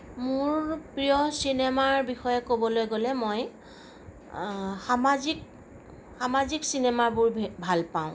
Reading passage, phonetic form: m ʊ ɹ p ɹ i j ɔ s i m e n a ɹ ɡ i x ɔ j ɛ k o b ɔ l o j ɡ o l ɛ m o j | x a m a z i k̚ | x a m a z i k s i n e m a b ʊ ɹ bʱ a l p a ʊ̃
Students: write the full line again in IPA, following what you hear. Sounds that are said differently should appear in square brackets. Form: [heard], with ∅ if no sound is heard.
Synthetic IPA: m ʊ ɹ p ɹ i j ɔ s i [n] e [m] a ɹ [b] i x ɔ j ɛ k o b ɔ l o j ɡ o l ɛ m o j | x a m a z i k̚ | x a m a z i k s i n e m a b ʊ ɹ bʱ a l p a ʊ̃